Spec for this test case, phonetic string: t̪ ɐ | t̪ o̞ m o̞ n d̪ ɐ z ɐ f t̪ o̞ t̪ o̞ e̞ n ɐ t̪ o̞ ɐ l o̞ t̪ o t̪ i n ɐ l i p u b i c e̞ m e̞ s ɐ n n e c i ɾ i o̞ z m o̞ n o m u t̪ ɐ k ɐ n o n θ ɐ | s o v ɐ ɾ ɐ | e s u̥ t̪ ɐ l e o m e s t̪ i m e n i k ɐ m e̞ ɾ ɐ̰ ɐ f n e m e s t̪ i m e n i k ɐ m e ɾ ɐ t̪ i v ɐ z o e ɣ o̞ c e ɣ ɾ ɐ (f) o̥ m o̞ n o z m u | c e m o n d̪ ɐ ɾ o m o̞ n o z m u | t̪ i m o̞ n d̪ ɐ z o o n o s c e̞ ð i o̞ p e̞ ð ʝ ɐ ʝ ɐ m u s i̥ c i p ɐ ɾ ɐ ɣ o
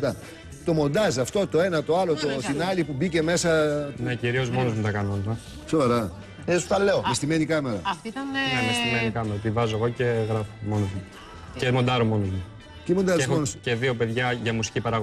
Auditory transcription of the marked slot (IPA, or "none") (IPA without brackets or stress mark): f